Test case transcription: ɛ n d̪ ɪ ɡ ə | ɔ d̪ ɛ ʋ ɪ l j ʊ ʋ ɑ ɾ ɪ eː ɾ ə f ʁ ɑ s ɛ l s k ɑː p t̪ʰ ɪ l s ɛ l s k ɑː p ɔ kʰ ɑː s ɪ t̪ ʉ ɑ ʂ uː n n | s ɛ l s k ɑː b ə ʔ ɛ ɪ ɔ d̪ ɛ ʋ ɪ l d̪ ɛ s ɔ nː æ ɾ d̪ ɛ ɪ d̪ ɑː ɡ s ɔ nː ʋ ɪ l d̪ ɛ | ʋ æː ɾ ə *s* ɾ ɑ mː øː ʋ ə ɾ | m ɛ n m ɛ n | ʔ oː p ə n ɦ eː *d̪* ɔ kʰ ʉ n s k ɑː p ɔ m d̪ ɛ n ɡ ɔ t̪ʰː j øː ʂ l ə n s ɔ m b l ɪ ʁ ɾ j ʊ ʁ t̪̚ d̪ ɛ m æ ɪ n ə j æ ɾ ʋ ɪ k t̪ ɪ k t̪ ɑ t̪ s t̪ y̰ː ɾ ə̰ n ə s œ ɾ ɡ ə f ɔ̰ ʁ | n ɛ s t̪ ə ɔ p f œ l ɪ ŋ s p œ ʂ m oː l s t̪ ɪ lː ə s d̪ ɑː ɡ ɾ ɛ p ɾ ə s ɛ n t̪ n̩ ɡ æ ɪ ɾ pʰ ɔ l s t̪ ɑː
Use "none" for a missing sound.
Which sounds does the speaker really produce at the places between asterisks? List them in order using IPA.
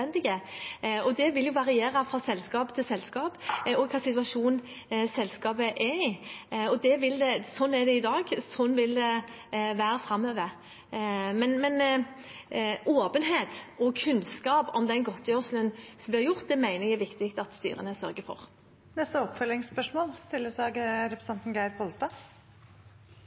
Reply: f, t̪

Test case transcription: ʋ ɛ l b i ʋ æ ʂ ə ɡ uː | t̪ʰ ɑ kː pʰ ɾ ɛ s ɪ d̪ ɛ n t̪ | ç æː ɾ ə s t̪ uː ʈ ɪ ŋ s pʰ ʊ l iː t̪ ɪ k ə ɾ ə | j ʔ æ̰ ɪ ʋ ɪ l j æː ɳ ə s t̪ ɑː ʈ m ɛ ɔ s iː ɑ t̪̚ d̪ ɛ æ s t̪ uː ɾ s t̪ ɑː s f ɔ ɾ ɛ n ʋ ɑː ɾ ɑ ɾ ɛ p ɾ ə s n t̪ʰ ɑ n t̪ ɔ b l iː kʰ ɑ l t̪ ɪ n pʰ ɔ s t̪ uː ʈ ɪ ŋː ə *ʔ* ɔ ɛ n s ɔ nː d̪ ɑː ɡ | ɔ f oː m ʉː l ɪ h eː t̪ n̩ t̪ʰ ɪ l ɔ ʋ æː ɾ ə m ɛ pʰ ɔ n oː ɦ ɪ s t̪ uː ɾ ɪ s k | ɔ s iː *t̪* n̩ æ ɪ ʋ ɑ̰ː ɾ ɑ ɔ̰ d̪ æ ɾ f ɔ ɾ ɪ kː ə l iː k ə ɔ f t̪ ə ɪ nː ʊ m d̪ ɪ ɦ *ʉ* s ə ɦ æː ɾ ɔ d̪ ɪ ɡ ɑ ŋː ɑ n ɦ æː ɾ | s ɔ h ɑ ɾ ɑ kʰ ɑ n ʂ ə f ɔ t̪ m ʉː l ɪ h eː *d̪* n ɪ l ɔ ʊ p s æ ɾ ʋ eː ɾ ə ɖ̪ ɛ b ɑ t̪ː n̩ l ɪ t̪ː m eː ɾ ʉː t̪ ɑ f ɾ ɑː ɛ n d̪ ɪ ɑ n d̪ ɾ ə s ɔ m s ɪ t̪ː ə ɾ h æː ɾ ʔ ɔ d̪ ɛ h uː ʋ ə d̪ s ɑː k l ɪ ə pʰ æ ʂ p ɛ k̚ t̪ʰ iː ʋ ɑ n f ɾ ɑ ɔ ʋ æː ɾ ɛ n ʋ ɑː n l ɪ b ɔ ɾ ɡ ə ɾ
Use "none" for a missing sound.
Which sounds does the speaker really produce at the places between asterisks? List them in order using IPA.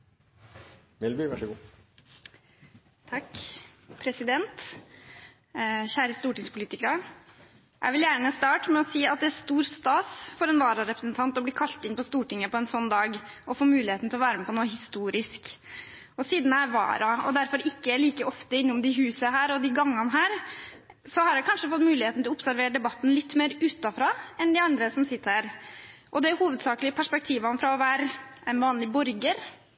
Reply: p, d̪, ʉː, t̪

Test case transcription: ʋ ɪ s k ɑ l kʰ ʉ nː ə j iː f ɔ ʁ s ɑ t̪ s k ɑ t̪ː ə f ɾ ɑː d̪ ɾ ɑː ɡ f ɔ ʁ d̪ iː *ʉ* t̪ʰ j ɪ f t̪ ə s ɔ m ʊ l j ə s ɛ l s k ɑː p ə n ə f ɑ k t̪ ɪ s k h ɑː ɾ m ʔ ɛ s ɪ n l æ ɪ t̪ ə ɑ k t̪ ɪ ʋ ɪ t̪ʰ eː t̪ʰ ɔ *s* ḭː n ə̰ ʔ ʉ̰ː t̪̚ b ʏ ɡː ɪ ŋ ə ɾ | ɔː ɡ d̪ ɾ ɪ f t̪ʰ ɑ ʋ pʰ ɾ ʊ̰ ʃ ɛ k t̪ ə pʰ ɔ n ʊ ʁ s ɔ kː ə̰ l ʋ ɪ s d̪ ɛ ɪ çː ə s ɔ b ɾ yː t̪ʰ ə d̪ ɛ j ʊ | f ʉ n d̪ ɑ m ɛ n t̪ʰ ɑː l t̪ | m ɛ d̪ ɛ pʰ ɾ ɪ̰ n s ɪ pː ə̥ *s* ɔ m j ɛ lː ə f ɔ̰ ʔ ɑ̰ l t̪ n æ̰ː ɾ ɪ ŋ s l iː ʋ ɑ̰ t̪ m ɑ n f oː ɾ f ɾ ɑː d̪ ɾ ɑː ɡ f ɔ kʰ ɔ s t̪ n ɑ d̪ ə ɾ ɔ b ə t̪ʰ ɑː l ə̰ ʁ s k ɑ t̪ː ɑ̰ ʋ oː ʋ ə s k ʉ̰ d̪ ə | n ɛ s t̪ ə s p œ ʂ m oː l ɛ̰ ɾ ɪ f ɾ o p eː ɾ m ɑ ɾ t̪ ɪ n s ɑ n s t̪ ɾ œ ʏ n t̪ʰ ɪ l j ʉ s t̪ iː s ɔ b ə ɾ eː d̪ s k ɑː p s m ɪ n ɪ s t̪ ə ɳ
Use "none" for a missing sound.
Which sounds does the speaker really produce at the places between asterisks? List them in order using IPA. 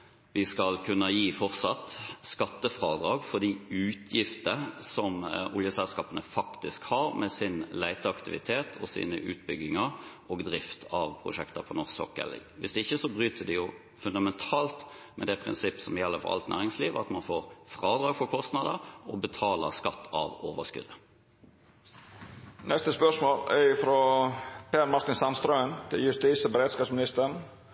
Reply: ʉː, s, s

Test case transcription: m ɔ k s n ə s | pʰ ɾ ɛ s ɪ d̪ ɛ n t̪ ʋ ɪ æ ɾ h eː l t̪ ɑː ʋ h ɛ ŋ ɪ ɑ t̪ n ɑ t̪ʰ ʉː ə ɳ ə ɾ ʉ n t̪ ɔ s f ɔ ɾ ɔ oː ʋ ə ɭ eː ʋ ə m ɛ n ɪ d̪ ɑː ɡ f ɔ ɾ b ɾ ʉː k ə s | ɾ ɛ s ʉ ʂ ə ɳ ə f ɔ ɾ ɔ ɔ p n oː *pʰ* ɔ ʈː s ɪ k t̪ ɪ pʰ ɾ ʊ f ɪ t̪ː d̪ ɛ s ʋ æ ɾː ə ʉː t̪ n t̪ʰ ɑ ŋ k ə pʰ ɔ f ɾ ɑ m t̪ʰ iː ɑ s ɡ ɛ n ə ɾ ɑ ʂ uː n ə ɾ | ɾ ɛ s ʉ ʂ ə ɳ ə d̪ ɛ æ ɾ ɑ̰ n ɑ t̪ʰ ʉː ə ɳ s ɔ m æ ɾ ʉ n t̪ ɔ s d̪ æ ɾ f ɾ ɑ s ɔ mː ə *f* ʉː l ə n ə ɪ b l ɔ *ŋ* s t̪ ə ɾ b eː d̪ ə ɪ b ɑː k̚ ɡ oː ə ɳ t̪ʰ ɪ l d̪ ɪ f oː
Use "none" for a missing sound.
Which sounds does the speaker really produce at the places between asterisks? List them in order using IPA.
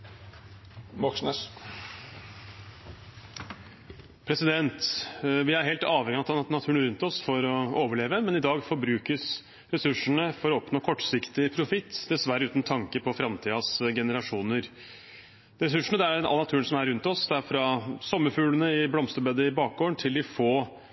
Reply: kʰ, f, m

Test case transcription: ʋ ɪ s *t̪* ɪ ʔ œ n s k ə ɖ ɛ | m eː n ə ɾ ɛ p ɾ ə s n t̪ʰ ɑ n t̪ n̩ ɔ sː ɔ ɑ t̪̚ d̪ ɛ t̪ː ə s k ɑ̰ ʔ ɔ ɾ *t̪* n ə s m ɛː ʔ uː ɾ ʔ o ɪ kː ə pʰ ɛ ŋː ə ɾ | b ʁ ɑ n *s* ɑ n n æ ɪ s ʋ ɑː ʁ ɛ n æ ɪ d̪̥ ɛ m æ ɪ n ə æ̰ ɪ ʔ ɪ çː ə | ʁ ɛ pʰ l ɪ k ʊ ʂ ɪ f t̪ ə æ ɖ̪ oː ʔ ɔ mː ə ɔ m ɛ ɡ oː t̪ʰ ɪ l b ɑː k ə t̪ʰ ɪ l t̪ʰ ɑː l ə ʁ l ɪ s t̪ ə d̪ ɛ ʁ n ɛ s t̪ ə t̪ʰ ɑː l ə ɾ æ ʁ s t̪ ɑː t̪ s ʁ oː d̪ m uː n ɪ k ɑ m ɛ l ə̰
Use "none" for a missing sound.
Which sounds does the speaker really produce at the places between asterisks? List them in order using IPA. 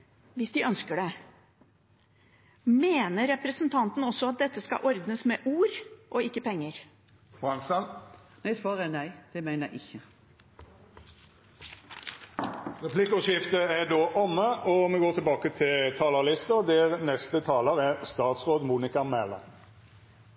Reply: d̪, d̪, s

